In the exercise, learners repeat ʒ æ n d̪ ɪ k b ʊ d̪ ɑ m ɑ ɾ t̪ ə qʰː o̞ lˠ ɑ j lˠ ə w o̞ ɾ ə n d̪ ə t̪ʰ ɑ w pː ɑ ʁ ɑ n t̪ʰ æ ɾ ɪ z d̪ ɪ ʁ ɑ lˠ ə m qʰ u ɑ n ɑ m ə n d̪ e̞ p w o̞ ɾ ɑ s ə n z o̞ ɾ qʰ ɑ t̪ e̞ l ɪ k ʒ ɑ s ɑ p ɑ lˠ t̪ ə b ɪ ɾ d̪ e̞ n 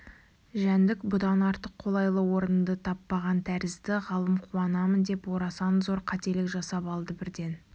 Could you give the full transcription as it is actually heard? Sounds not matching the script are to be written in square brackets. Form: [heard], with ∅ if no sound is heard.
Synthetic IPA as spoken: ʒ æ n d̪ ɪ k b ʊ d̪ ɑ [n] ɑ ɾ t̪ ə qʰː o̞ lˠ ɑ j lˠ ə w o̞ ɾ ə n d̪ ə t̪ʰ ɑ [∅] pː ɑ ʁ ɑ n t̪ʰ æ ɾ ɪ z d̪ ɪ ʁ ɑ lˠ ə m qʰ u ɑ n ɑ m ə n d̪ e̞ p w o̞ ɾ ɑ s [ɑ] n z o̞ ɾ qʰ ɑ t̪ e̞ l ɪ k ʒ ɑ s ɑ p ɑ lˠ [d̪] ə b ɪ ɾ d̪ e̞ n